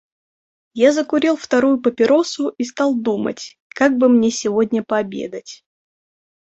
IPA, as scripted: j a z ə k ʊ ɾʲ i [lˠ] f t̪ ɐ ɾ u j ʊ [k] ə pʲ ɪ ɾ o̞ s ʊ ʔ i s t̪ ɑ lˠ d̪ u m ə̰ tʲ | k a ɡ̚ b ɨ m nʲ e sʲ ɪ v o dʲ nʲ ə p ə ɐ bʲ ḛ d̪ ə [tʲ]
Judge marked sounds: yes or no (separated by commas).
yes, no, yes